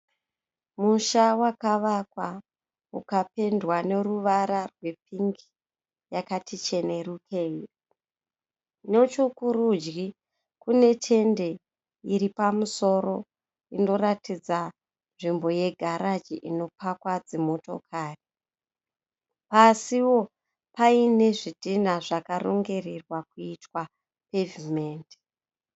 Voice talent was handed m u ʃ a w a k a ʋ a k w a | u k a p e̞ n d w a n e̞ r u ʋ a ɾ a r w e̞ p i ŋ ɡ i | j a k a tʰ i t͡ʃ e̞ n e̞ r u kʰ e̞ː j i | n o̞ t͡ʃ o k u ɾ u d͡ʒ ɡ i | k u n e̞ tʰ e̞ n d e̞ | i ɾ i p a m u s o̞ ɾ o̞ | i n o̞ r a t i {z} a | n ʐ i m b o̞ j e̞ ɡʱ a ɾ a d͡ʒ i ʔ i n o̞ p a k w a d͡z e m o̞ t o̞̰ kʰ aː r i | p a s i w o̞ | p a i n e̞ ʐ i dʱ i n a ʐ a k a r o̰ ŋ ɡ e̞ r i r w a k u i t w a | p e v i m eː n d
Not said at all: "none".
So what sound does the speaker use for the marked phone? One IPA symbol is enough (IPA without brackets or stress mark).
d͡z